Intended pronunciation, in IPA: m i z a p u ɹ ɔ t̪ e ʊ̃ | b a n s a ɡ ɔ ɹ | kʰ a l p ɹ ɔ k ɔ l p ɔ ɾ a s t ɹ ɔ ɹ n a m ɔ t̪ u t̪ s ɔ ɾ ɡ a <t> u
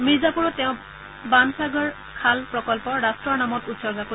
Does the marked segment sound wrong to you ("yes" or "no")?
yes